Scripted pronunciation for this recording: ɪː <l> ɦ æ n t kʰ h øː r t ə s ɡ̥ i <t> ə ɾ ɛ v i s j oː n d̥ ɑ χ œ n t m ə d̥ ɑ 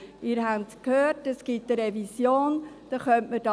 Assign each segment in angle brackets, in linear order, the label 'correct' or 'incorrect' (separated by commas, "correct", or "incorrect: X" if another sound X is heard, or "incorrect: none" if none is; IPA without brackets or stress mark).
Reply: incorrect: ɾ, correct